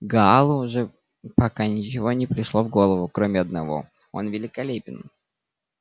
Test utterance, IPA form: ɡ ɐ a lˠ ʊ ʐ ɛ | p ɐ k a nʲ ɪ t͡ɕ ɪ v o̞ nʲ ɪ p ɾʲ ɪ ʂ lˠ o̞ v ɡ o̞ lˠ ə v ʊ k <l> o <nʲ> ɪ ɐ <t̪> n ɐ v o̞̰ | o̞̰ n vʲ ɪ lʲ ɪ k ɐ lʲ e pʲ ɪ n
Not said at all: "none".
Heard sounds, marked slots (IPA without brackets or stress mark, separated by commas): ɾ, mʲ, d̪